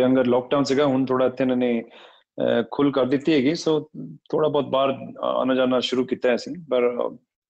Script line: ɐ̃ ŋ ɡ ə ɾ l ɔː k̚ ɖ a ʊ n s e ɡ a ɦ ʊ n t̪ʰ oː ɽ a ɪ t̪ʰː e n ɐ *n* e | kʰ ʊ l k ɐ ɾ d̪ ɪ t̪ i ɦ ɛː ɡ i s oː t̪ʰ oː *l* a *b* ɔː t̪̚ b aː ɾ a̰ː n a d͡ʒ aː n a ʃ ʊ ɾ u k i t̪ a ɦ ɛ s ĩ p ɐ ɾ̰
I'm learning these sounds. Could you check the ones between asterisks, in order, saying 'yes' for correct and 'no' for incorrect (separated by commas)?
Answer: yes, no, yes